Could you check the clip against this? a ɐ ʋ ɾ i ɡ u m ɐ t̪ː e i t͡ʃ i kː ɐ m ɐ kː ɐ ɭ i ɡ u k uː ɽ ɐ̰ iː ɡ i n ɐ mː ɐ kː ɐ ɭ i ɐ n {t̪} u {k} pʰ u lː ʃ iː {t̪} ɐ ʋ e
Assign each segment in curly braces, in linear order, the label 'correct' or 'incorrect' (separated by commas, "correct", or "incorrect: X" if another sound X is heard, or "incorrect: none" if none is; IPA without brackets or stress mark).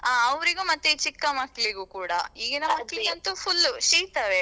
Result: correct, incorrect: none, correct